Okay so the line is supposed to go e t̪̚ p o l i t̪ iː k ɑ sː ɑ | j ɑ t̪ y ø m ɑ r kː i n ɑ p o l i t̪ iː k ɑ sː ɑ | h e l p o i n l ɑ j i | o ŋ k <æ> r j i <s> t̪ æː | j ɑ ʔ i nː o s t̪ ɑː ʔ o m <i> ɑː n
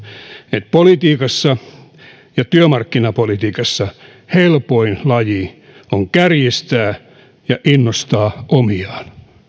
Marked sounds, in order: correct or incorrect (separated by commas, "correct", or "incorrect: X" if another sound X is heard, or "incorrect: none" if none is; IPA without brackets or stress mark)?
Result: correct, correct, correct